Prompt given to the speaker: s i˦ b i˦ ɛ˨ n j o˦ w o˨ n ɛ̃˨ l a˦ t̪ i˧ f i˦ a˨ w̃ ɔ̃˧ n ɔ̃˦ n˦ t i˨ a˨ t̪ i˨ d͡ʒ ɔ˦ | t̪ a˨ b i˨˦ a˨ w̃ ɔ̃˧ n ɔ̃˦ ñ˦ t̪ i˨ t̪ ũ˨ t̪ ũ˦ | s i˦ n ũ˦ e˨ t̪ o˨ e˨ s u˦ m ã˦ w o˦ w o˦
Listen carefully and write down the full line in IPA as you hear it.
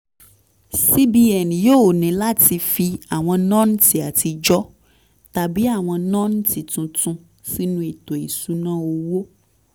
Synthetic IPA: s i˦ b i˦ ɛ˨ n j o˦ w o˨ n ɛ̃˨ l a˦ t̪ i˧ f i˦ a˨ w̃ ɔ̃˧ n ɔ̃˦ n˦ t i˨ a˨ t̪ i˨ d͡ʒ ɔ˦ | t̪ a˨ b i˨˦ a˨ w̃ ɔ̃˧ n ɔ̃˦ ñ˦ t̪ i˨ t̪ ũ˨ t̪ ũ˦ | s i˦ n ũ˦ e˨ t̪ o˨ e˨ s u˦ n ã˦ w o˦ w o˦